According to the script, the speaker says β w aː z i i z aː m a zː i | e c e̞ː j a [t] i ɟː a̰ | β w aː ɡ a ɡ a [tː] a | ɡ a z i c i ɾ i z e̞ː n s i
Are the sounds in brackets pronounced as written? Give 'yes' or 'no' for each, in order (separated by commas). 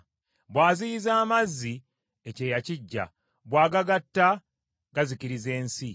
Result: no, yes